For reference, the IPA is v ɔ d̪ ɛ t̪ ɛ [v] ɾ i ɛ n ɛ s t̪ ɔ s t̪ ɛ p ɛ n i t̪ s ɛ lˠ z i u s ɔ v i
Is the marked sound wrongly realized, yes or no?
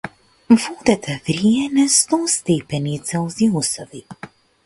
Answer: no